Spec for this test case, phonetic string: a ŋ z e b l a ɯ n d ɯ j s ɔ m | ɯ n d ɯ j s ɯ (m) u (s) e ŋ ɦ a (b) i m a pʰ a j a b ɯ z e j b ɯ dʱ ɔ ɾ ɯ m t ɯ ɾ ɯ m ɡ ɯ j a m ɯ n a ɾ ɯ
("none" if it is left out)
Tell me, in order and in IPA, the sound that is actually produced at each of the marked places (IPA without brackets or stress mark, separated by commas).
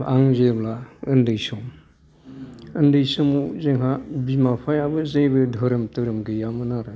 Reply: m, z, b